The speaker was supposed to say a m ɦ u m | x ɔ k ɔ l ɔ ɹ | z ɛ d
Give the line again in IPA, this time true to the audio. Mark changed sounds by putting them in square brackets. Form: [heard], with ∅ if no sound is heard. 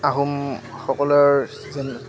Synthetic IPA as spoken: a [∅] ɦ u m | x ɔ k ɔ l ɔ ɹ | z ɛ [n]